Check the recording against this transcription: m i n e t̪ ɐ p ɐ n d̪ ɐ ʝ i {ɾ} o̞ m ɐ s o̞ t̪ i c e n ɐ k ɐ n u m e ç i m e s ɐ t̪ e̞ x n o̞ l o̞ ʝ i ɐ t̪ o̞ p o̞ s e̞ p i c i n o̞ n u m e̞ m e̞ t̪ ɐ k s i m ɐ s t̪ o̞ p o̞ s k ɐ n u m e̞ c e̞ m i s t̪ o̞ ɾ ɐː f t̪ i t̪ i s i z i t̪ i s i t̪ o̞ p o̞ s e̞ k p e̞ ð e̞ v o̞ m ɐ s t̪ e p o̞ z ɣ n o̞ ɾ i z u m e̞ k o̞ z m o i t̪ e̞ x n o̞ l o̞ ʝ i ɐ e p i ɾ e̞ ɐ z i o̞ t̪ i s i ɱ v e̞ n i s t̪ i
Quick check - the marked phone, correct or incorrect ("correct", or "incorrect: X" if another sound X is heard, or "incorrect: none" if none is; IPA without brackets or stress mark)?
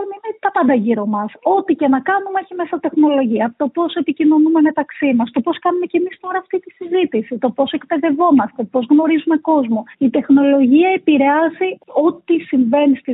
correct